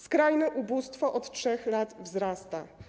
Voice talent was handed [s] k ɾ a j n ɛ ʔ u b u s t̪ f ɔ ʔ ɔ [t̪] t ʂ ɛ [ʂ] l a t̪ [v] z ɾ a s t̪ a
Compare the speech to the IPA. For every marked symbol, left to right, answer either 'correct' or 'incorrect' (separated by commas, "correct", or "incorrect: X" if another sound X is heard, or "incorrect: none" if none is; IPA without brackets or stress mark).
correct, correct, incorrect: x, correct